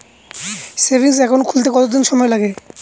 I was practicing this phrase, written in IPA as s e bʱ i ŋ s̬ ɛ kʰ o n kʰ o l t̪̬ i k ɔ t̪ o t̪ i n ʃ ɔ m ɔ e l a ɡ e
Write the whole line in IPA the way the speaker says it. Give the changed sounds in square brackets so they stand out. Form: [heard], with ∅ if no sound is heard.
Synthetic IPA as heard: s e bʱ i ŋ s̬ ɛ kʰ o n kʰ [u] l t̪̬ [e] k ɔ t̪ o [d̪] i n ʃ ɔ m ɔ e l a ɡ e